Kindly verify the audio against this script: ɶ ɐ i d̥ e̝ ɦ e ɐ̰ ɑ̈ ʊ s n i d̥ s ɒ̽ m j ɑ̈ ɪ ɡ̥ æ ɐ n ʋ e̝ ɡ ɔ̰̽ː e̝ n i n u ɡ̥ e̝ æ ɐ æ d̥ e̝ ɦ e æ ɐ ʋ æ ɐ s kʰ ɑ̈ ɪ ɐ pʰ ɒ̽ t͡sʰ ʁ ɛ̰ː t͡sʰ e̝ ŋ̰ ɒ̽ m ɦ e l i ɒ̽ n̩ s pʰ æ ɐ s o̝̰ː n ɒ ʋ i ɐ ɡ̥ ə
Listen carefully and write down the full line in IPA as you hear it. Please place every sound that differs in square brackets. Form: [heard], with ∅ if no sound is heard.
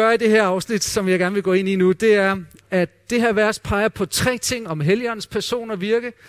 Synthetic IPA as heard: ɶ ɐ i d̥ e̝ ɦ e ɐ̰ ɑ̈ ʊ s n i d̥ s ɒ̽ m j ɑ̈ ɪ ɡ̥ æ ɐ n ʋ e̝ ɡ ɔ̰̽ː e̝ n i n u [d̥] e̝ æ ɐ æ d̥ e̝ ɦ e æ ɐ ʋ æ ɐ s [pʰ] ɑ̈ ɪ ɐ pʰ ɒ̽ t͡sʰ ʁ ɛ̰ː t͡sʰ e̝ ŋ̰ ɒ̽ m ɦ e l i ɒ̽ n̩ s pʰ æ ɐ s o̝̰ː n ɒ ʋ i ɐ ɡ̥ ə